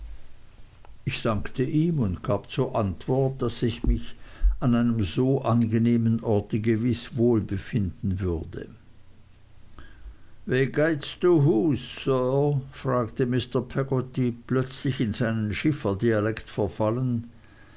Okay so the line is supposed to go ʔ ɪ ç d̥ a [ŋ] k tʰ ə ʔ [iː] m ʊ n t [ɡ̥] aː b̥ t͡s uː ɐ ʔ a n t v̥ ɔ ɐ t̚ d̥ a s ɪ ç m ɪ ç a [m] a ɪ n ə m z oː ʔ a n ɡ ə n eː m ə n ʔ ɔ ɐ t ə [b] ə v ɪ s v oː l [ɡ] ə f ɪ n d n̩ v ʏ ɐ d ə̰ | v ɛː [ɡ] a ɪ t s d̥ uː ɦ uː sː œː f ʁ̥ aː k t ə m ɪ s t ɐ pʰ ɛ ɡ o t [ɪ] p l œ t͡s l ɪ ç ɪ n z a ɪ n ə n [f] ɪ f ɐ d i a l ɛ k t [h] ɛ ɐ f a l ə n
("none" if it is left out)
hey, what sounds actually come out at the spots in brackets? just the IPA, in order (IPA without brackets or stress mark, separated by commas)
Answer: ŋ, iː, ɡ̥, n, ɡ, b, ɡ, i, ʃ, f